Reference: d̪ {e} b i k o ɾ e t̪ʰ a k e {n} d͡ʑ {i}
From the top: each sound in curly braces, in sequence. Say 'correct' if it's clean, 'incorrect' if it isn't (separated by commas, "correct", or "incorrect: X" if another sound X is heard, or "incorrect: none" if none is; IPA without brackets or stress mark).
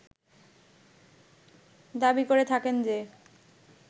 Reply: incorrect: a, correct, incorrect: e